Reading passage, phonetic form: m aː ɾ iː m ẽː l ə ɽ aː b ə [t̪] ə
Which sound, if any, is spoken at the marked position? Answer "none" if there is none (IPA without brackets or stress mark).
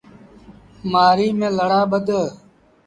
d̪